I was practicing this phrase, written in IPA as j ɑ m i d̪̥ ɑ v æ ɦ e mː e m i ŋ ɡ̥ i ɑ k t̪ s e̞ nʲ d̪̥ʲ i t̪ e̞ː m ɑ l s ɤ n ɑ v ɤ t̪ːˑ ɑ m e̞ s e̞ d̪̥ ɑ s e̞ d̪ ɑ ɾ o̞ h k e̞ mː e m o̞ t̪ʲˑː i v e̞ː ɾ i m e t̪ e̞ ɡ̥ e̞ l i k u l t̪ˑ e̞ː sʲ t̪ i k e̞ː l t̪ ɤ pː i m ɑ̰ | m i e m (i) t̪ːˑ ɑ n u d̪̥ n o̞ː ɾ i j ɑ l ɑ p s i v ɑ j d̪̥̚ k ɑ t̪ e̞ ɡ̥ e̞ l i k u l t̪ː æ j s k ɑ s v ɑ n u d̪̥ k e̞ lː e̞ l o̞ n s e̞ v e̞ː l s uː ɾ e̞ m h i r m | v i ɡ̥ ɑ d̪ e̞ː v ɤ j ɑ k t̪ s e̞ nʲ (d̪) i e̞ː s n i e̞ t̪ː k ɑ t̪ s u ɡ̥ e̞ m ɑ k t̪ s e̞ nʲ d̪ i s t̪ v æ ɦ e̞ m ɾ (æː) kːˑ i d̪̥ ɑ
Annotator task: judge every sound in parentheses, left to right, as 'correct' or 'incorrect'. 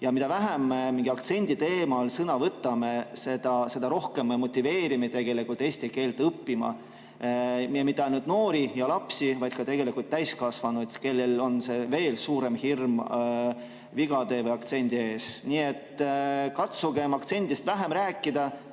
correct, correct, correct

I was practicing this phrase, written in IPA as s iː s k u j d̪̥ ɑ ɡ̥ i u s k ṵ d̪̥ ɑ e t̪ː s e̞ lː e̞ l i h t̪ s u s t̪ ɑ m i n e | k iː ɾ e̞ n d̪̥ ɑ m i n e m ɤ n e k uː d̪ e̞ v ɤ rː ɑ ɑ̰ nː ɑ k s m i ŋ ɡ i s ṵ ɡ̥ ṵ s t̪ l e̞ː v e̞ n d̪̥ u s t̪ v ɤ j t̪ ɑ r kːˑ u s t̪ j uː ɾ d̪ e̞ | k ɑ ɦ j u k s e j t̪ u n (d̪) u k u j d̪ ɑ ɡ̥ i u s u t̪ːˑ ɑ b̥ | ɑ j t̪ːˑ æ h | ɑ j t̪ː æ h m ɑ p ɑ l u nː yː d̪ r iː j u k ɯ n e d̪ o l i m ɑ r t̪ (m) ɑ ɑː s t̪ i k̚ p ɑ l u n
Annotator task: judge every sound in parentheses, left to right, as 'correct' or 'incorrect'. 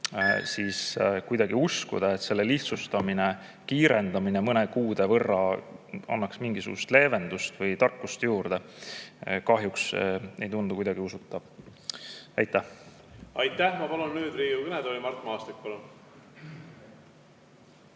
correct, correct

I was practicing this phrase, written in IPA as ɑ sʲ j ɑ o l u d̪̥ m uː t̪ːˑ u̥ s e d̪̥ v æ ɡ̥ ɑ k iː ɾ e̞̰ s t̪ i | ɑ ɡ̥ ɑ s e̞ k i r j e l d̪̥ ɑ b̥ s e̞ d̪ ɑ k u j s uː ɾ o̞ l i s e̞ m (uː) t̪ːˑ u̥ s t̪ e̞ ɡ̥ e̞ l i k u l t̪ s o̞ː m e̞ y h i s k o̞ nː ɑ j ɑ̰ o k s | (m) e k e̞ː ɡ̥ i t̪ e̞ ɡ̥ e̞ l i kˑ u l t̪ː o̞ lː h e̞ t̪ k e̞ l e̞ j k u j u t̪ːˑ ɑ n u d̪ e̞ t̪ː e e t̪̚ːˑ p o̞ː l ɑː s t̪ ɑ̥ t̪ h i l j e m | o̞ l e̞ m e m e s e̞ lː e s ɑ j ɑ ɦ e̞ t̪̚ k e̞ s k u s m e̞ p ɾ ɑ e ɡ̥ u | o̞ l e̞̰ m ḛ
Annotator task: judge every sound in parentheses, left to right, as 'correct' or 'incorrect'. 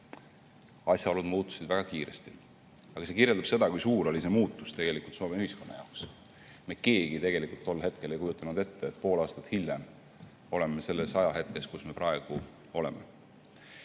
correct, correct

